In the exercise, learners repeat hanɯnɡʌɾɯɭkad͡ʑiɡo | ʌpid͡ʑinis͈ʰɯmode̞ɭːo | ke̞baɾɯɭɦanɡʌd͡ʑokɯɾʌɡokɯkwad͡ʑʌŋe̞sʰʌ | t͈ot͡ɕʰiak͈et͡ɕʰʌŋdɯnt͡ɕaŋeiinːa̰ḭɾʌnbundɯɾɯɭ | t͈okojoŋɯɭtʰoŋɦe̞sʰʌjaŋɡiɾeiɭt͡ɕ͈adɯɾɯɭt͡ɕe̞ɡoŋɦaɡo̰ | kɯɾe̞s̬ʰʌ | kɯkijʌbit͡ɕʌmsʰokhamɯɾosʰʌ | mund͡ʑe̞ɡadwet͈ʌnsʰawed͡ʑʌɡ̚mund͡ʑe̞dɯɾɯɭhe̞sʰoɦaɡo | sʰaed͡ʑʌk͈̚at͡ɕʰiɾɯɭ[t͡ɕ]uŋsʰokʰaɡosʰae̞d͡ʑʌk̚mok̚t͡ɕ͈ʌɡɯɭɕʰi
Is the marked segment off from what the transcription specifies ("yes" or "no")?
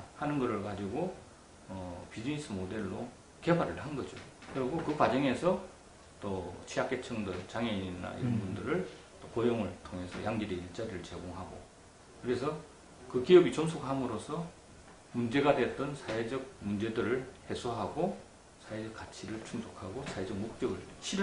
yes